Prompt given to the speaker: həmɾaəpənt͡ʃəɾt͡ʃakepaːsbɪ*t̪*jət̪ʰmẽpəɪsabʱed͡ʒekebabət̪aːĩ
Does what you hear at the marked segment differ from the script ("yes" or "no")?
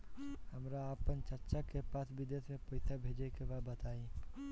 yes